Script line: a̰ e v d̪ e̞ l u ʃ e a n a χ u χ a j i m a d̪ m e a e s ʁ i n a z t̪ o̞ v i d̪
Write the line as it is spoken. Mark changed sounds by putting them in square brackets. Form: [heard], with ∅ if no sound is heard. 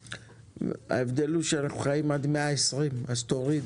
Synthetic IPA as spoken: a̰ e v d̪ e̞ l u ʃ e a n a χ u χ a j i m a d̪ m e a e s ʁ i [m] a z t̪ o̞ [ʁ] i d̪